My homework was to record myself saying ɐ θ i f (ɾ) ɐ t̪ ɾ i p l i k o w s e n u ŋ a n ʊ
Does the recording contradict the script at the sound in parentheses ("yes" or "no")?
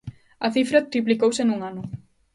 no